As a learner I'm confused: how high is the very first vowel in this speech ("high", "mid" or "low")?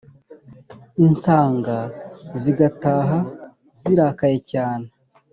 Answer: high